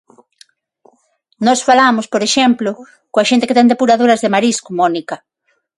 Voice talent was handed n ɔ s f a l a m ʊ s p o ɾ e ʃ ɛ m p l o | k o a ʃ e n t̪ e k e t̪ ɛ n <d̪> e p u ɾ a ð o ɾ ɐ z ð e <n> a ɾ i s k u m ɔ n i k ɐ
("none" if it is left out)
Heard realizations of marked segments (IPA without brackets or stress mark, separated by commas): d̪, m